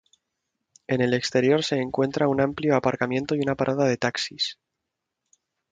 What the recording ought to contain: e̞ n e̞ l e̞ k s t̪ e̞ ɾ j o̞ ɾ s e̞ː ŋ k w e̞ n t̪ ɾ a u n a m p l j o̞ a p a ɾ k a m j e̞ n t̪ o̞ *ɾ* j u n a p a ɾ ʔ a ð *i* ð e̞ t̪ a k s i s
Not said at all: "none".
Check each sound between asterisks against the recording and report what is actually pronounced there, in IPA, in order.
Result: none, a

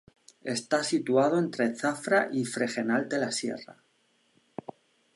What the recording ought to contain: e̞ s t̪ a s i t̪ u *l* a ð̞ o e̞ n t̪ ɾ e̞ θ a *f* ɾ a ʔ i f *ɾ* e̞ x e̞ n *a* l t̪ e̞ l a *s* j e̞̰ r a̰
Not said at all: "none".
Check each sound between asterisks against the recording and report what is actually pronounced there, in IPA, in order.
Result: none, f, ɾ, a, s

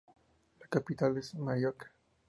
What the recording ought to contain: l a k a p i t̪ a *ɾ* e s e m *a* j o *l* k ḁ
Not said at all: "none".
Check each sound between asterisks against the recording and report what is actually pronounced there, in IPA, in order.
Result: l, a, ɾ

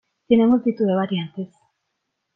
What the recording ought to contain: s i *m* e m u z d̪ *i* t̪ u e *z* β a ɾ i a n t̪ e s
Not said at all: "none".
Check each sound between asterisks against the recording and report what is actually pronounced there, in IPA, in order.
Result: n, i, none

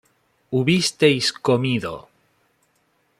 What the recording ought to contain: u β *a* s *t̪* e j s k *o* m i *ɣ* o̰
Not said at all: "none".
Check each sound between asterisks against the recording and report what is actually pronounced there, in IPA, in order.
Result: i, t̪, o, ð

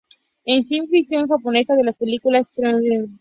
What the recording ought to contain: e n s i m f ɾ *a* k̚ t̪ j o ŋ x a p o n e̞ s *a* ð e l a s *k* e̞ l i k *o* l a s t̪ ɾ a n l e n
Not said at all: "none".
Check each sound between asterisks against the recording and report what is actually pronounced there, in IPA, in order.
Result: i, a, p, u

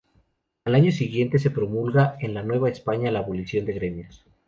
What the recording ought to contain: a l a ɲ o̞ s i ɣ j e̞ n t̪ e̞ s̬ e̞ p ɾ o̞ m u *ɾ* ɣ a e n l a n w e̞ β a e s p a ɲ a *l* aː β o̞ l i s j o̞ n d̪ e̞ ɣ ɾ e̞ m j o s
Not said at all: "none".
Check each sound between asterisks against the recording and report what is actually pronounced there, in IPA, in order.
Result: l, l

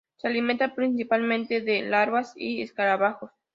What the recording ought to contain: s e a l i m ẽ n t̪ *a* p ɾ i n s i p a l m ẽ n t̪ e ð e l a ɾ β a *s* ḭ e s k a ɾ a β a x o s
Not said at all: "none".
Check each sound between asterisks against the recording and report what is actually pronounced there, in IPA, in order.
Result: a, s

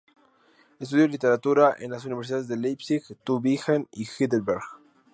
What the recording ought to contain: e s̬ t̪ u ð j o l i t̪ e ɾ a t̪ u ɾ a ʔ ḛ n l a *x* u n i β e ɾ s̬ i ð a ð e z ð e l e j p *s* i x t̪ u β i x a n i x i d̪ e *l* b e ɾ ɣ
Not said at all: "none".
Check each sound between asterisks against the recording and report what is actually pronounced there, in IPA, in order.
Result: s, s, l

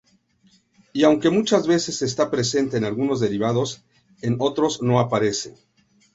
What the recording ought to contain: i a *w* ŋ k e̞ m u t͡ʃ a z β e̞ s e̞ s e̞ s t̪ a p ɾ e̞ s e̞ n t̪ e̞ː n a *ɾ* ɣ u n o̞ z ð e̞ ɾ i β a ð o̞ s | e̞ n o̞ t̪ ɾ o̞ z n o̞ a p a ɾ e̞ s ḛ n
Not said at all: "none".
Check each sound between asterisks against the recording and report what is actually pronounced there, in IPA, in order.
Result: w, l

